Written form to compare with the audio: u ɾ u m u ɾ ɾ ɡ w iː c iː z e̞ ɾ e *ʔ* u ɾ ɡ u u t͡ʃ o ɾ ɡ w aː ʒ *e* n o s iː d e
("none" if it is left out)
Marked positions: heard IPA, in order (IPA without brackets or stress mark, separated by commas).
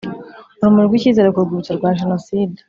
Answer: k, e